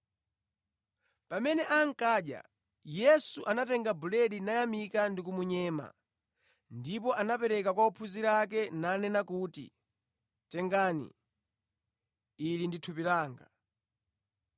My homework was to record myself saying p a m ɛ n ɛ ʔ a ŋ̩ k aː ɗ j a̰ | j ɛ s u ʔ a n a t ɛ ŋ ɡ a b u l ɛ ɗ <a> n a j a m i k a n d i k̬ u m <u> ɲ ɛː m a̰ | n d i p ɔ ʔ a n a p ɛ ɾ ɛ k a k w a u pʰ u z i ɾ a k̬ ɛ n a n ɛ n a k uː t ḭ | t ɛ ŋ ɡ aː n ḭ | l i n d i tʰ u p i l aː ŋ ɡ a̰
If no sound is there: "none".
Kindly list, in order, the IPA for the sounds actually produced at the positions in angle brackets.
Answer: i, u

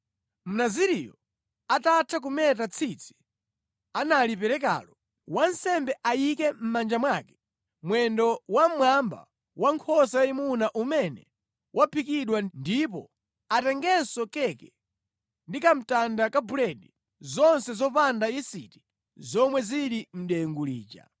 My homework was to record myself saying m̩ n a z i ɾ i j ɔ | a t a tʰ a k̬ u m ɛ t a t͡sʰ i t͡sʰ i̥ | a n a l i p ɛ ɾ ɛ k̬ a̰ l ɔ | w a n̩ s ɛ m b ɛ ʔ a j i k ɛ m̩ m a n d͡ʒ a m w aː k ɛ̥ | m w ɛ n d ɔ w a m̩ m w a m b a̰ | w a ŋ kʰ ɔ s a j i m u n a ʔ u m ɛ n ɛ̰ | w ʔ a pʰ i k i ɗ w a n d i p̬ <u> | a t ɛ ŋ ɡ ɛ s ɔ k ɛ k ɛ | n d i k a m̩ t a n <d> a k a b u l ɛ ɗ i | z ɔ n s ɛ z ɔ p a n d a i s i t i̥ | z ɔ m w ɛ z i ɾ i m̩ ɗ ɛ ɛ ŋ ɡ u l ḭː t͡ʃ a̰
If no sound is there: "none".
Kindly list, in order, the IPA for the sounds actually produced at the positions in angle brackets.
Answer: ɔ, d

